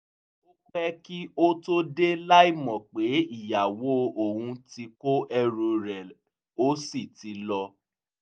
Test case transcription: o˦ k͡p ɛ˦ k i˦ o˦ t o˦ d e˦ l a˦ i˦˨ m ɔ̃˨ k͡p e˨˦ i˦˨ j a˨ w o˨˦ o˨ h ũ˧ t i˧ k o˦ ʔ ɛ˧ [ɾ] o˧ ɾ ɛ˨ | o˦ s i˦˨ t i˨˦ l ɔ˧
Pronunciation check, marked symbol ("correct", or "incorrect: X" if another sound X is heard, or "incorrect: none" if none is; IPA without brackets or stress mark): correct